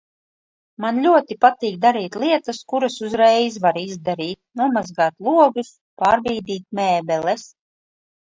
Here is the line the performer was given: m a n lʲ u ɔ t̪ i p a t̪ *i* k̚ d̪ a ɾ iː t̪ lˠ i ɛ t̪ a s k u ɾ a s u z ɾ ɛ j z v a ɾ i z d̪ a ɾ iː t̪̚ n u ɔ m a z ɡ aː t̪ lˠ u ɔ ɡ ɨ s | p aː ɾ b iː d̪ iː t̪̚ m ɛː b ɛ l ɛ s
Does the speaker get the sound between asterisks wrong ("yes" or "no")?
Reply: yes